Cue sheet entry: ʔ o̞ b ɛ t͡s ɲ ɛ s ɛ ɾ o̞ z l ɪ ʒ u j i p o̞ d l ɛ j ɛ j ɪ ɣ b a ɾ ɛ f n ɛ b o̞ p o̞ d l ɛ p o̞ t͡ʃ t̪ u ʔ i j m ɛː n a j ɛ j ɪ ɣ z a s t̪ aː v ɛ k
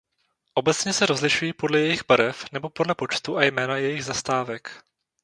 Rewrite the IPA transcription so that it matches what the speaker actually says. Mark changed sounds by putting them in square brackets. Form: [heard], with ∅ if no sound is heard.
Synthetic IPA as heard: ʔ o̞ b ɛ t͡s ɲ ɛ s ɛ ɾ o̞ z l ɪ [ʃ] u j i p o̞ d l ɛ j ɛ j ɪ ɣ b a ɾ ɛ f n ɛ b o̞ p o̞ d l ɛ p o̞ t͡ʃ t̪ u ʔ [a] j m ɛː n a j ɛ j ɪ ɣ z a s t̪ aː v ɛ k

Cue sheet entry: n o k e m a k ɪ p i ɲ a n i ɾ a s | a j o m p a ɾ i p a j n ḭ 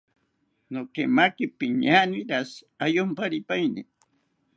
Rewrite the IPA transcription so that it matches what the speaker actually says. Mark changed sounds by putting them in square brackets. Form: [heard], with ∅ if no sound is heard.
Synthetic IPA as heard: n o k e m a k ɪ p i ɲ a n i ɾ a s | a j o m p a ɾ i p a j n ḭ

